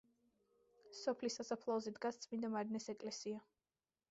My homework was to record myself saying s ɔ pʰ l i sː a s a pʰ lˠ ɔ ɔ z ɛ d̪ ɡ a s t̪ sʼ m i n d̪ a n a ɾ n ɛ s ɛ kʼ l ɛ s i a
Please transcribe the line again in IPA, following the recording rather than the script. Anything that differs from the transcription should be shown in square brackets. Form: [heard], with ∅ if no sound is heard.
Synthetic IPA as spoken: s ɔ pʰ l i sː a s a pʰ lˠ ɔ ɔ z ɛ d̪ ɡ a s t̪ sʼ m i n d̪ a [m] a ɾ n ɛ s ɛ kʼ l ɛ s i a

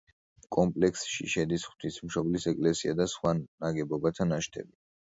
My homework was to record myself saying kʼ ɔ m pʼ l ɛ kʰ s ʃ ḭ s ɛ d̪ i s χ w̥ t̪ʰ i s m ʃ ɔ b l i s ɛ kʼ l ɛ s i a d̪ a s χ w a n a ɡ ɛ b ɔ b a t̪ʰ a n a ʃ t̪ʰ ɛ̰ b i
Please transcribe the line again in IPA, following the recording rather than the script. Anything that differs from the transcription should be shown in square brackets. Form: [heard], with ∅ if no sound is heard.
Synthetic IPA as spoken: kʼ ɔ m pʼ l ɛ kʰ s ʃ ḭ [ʃ] ɛ d̪ i s χ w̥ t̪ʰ i s m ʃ ɔ b l i s ɛ kʼ l ɛ s i a d̪ a s χ w a n a ɡ ɛ b ɔ b a t̪ʰ a n a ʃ t̪ʰ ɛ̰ b i

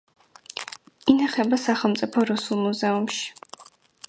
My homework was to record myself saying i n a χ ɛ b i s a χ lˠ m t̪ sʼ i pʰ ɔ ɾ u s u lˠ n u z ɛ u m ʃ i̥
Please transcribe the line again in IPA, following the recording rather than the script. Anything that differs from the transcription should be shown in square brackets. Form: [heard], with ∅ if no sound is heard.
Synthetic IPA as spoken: i n a χ ɛ b [a] s a χ lˠ m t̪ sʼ i pʰ ɔ ɾ u s u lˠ [m] u z ɛ u m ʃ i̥

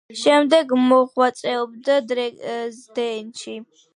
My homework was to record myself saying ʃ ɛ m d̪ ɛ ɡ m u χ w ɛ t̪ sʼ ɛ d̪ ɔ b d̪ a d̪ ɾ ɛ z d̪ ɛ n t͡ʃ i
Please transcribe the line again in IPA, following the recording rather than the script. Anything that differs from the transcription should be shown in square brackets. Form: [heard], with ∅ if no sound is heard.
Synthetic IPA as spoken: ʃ ɛ m d̪ ɛ ɡ m [ɔ] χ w [a] t̪ sʼ ɛ [∅] ɔ b d̪ a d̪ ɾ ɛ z d̪ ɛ n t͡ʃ i

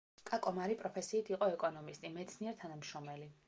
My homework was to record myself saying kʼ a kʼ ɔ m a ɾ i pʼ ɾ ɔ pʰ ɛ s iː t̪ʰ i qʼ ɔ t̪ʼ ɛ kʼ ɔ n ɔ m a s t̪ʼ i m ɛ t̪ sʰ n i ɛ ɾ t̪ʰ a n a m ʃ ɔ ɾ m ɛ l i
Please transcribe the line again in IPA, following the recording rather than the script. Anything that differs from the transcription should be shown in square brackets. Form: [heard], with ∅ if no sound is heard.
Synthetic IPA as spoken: kʼ a kʼ ɔ m a ɾ i pʼ ɾ ɔ pʰ ɛ s iː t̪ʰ i qʼ ɔ [∅] ɛ kʼ ɔ n ɔ m [i] s t̪ʼ i m ɛ t̪ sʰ n i ɛ ɾ t̪ʰ a n a m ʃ ɔ [∅] m ɛ l i

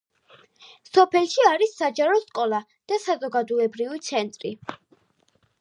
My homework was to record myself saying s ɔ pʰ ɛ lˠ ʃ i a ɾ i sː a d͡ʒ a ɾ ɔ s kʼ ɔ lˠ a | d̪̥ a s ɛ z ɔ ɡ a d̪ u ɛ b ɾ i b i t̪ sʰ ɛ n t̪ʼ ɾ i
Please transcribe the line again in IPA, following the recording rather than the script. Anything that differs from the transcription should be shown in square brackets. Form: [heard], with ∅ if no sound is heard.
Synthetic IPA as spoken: s ɔ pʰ ɛ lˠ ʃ i a ɾ i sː a d͡ʒ a ɾ ɔ s kʼ ɔ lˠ a | d̪̥ a s [a] z ɔ ɡ a d̪ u ɛ b ɾ i [v] i t̪ sʰ ɛ n t̪ʼ ɾ i

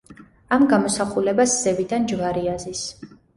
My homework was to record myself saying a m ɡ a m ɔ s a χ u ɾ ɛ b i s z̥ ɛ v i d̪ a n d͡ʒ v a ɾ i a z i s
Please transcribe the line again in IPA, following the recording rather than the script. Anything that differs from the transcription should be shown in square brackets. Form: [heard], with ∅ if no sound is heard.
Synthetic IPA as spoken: a m ɡ a m ɔ s a χ u [l] ɛ b [a] s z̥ ɛ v i d̪ a n d͡ʒ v a ɾ i a z i s

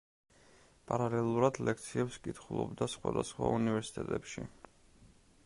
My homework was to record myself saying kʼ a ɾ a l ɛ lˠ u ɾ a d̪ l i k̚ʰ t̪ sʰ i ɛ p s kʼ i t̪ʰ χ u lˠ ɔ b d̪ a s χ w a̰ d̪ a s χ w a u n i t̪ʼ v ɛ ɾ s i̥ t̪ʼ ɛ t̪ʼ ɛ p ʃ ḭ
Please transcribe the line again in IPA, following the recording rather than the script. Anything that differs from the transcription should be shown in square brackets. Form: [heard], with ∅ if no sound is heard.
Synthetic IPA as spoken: [pʼ] a ɾ a l ɛ lˠ u ɾ a d̪ l [ɛ] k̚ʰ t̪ sʰ i ɛ p s kʼ i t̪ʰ χ u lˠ ɔ b d̪ a s χ w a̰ d̪ a s χ w a u n i [∅] v ɛ ɾ s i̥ t̪ʼ ɛ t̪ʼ ɛ p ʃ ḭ

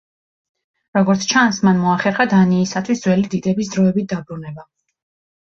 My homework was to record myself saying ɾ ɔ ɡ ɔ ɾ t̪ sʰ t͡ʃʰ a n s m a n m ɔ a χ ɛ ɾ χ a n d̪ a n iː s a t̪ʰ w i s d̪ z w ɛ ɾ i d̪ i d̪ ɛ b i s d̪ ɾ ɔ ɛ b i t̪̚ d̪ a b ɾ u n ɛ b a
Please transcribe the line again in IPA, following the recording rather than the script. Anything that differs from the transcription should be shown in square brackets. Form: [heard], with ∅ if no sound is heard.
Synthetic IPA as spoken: ɾ ɔ ɡ ɔ ɾ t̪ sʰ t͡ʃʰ a n s m a n m ɔ a χ ɛ ɾ χ a [∅] d̪ a n iː s a t̪ʰ w i s d̪ z w ɛ [l] i d̪ i d̪ ɛ b i s d̪ ɾ ɔ ɛ b i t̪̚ d̪ a b ɾ u n ɛ b a

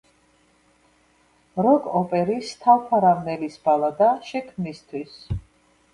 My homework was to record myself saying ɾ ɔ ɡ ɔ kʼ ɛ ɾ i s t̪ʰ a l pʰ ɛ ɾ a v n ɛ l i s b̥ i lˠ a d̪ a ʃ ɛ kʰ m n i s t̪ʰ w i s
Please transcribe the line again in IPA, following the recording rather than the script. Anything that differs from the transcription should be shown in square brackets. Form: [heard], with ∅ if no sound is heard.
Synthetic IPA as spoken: ɾ ɔ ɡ ɔ [pʼ] ɛ ɾ i s t̪ʰ a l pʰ [a] ɾ a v n ɛ l i s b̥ [a] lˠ a d̪ a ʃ ɛ kʰ m n i s t̪ʰ w i s

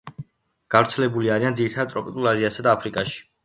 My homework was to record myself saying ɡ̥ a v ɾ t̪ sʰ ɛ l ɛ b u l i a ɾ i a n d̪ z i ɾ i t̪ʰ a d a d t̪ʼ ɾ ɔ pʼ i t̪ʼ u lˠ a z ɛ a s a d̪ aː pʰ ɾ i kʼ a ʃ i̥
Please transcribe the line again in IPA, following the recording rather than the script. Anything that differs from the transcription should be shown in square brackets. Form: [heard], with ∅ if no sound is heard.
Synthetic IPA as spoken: ɡ̥ a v ɾ t̪ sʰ ɛ l ɛ b u l i a ɾ i a n d̪ z i ɾ i t̪ʰ a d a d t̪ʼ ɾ ɔ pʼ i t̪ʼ u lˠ a z [i] a s a d̪ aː pʰ ɾ i kʼ a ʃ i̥

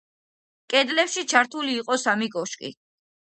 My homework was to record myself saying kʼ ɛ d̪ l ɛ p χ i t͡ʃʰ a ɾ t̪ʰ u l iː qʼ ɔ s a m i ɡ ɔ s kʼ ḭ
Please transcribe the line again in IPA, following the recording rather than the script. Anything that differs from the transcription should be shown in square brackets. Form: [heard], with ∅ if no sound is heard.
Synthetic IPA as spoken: kʼ ɛ d̪ l ɛ p [ʃ] i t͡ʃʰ a ɾ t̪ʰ u l iː qʼ ɔ s a m i ɡ ɔ [ʃ] kʼ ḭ

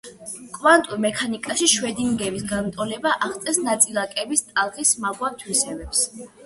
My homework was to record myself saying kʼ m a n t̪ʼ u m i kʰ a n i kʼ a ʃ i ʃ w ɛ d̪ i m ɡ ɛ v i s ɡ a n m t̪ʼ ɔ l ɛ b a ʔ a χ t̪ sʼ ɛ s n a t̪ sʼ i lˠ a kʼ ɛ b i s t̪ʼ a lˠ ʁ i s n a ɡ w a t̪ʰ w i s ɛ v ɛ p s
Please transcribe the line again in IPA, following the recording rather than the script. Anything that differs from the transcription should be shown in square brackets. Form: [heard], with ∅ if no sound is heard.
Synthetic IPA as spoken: kʼ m a n t̪ʼ u m [ɛ] kʰ a n i kʼ a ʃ i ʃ w ɛ d̪ i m ɡ ɛ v i s ɡ a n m t̪ʼ ɔ l ɛ b a ʔ a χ t̪ sʼ ɛ s n a t̪ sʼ i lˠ a kʼ ɛ b i s t̪ʼ a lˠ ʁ i s [m] a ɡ w a t̪ʰ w i s ɛ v ɛ p s

